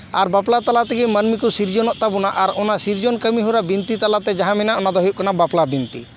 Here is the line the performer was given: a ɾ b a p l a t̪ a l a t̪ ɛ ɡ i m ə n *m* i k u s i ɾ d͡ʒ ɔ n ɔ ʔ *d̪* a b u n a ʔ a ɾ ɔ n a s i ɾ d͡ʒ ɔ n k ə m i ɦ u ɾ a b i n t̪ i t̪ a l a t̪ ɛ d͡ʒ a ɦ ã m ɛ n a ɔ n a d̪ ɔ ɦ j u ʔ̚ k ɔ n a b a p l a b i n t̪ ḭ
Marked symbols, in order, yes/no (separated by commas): yes, no